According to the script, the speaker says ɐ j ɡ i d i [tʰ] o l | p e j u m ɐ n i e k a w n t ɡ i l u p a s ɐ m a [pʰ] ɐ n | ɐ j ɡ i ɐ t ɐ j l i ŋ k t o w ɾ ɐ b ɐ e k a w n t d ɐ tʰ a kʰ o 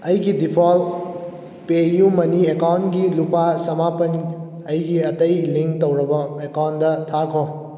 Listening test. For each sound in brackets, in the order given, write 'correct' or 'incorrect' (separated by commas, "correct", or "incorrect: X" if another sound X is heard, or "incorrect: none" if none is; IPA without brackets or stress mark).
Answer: incorrect: pʰ, incorrect: p